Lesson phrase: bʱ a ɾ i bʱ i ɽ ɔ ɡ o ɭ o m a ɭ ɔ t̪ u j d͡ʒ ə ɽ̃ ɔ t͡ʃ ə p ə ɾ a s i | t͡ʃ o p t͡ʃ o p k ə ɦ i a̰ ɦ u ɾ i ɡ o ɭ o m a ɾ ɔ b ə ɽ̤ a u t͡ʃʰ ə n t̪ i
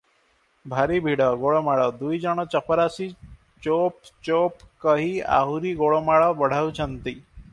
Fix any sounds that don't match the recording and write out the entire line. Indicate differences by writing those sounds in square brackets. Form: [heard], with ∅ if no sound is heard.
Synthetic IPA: bʱ a ɾ i bʱ i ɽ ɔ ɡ o ɭ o m a ɭ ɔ [d̪] u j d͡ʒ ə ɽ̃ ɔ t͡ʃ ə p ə ɾ a s i | t͡ʃ o p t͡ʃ o p k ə ɦ i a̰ ɦ u ɾ i ɡ o ɭ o m a [ɭ] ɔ b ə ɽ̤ a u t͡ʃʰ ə n t̪ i

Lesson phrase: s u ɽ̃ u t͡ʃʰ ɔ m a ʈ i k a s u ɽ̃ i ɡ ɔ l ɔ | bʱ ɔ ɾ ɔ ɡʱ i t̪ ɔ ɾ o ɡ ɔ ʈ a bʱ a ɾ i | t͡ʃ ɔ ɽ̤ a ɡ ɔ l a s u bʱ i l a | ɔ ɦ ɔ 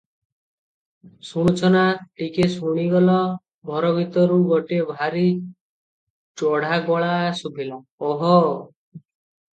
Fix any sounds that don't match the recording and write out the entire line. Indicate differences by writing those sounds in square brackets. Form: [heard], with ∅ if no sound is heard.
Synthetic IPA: s u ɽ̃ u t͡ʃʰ ɔ [n] a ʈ i k [e] s u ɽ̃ i ɡ ɔ l ɔ | bʱ ɔ ɾ ɔ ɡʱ i t̪ ɔ ɾ [u] ɡ ɔ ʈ [e] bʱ a ɾ i | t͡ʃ ɔ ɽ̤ a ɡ ɔ [ɭ] a s u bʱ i l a | ɔ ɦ ɔ

